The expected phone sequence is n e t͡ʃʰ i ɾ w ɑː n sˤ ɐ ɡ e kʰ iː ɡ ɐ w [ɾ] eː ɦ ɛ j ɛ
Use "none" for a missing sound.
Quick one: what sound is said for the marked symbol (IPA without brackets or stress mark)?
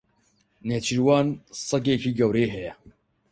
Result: ɾ